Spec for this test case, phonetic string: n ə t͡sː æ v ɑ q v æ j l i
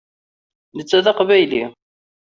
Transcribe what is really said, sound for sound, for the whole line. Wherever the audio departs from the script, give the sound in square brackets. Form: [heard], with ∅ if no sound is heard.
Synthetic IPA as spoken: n ə t͡sː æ [ð] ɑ q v æ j l i